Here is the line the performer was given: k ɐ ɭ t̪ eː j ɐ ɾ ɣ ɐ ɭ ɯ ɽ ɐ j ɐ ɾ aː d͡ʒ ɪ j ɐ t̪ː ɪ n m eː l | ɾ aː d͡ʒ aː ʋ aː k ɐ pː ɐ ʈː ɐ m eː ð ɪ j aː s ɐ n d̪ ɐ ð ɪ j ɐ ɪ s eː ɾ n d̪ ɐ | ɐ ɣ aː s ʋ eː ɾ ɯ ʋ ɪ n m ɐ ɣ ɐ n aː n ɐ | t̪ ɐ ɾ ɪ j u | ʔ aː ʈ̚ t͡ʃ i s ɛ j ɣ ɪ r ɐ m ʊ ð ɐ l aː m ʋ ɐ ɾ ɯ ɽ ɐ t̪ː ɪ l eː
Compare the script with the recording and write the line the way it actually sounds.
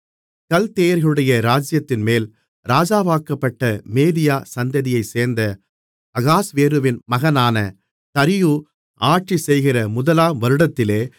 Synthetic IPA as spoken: k ɐ l t̪ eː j ɐ ɾ ɣ ɐ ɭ ɯ ɽ ɐ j ɐ ɾ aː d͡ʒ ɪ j ɐ t̪ː ɪ n m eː l | ɾ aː d͡ʒ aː ʋ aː k ɐ pː ɐ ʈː ɐ m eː ð ɪ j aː s ɐ n d̪ ɐ ð ɪ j ɐ ɪ s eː ɾ n d̪ ɐ | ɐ ɣ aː s ʋ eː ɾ ɯ ʋ ɪ n m ɐ ɣ ɐ n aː n ɐ | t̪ ɐ ɾ ɪ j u | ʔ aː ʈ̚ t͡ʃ i s ɛ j ɣ ɪ r ɐ m ʊ ð ɐ l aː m ʋ ɐ ɾ ɯ ɽ ɐ t̪ː ɪ l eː

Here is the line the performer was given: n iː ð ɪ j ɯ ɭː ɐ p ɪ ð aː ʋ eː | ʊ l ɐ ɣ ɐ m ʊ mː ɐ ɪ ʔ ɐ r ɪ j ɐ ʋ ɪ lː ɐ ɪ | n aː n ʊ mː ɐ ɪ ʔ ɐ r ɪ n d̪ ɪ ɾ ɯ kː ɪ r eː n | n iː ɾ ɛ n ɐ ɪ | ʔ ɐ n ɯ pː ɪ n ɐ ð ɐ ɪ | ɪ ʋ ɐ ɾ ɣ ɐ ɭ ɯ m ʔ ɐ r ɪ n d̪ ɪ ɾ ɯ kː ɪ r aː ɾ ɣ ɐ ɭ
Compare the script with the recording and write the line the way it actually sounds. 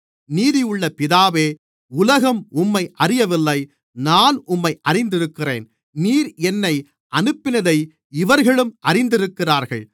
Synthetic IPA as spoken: n iː ð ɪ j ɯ ɭː ɐ p ɪ ð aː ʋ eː | ʊ l ɐ ɣ ɐ m ʊ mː ɐ ɪ ʔ ɐ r ɪ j ɐ ʋ ɪ lː ɐ ɪ | n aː n ʊ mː ɐ ɪ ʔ ɐ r ɪ n d̪ ɪ ɾ ɯ kː ɪ r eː n | n iː ɾ ɛ nː ɐ ɪ | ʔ ɐ n ɯ pː ɪ n ɐ ð ɐ ɪ | ɪ ʋ ɐ ɾ ɣ ɐ ɭ ɯ m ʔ ɐ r ɪ n d̪ ɪ ɾ ɯ kː ɪ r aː ɾ ɣ ɐ ɭ

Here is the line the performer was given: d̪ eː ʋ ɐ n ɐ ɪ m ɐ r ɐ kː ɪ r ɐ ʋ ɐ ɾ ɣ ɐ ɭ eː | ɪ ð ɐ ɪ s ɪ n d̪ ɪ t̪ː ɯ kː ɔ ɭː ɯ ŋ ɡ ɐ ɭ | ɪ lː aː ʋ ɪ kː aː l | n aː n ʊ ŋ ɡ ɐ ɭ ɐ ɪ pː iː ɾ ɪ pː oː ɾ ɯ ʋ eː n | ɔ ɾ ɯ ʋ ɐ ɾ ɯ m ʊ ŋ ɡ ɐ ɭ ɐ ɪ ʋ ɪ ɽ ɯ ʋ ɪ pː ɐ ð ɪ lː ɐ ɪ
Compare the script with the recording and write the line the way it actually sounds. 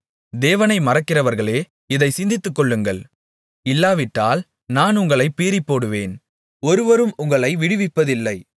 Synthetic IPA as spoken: d̪ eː ʋ ɐ n ɐ ɪ m ɐ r ɐ kː ɪ r ɐ ʋ ɐ ɾ ɣ ɐ ɭ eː | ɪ ð ɐ ɪ s ɪ n d̪ ɪ t̪ː ɯ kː ɔ ɭː ɯ ŋ ɡ ɐ ɭ | ɪ lː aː ʋ ɪ ʈː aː l | n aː n ʊ ŋ ɡ ɐ ɭ ɐ ɪ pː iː ɾ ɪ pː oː ɽ ɯ ʋ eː n | ɔ ɾ ɯ ʋ ɐ ɾ ɯ m ʊ ŋ ɡ ɐ ɭ ɐ ɪ ʋ ɪ ɽ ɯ ʋ ɪ pː ɐ ð ɪ lː ɐ ɪ

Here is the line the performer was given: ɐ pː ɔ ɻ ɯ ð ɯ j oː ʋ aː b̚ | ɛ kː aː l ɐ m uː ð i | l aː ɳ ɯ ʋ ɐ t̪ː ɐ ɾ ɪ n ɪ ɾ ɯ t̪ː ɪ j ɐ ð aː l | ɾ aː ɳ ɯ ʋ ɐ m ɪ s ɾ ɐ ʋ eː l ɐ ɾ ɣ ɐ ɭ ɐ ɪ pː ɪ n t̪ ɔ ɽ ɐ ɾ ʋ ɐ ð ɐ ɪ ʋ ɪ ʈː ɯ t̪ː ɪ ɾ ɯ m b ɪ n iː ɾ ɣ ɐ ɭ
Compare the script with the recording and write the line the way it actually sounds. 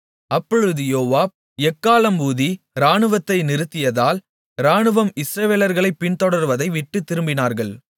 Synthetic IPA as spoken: ɐ pː ɔ ɻ ɯ ð ɯ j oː ʋ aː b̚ | ɛ kː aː l ɐ m uː ð i | ɾ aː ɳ ɯ ʋ ɐ t̪ː ɐ ɪ n ɪ ɾ ɯ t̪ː ɪ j ɐ ð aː l | ɾ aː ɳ ɯ ʋ ɐ m ɪ s ɾ ɐ ʋ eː l ɐ ɾ ɣ ɐ ɭ ɐ ɪ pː ɪ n t̪ ɔ ɽ ɐ ɾ ʋ ɐ ð ɐ ɪ ʋ ɪ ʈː ɯ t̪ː ɪ ɾ ɯ m b ɪ n aː ɾ ɣ ɐ ɭ

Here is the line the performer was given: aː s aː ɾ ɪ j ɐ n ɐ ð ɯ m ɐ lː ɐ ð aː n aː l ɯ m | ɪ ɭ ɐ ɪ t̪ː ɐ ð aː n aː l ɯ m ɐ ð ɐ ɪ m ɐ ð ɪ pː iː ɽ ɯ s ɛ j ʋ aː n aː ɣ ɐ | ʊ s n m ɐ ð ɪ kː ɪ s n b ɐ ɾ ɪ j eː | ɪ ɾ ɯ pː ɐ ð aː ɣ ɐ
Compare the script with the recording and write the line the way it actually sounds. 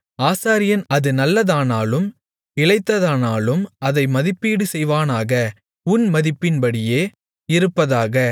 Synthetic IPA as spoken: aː s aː ɾ ɪ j ɐ n ɐ ð ɯ n ɐ lː ɐ ð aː n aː l ɯ m | ɪ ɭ ɐ ɪ t̪ː ɐ ð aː n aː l ɯ m ɐ ð ɐ ɪ m ɐ ð ɪ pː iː ɽ ɯ s ɛ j ʋ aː n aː ɣ ɐ | ʊ n m ɐ ð ɪ pː ɪ n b ɐ ɽ ɪ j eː | ɪ ɾ ɯ pː ɐ ð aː ɣ ɐ

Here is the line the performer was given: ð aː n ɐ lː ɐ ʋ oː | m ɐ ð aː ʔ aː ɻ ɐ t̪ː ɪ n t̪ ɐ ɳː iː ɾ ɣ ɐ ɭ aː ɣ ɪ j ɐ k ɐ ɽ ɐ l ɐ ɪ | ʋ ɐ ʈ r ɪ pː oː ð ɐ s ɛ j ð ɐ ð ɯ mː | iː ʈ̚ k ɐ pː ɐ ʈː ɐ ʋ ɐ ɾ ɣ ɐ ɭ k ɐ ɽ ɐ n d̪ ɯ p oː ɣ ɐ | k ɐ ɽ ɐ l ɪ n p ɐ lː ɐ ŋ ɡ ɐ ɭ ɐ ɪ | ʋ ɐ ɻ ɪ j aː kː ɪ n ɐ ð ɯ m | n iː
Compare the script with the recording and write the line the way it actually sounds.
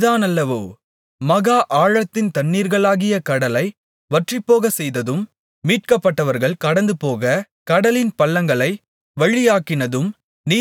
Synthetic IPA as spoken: ð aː n ɐ lː ɐ ʋ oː | m ɐ ɣ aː ʔ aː ɻ ɐ t̪ː ɪ n t̪ ɐ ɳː iː ɾ ɣ ɐ ɭ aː ɣ ɪ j ɐ k ɐ ɽ ɐ l ɐ ɪ | ʋ ɐ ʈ r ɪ pː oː ɣ ɐ s ɛ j ð ɐ ð ɯ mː | iː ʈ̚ k ɐ pː ɐ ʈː ɐ ʋ ɐ ɾ ɣ ɐ ɭ k ɐ ɽ ɐ n d̪ ɯ p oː ɣ ɐ | k ɐ ɽ ɐ l ɪ n p ɐ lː ɐ ŋ ɡ ɐ ɭ ɐ ɪ | ʋ ɐ ɻ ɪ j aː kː ɪ n ɐ ð ɯ m | n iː

